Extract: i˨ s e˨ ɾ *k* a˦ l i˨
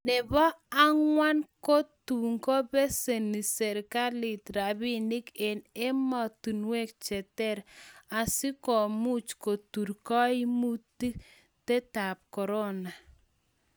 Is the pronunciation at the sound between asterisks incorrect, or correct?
correct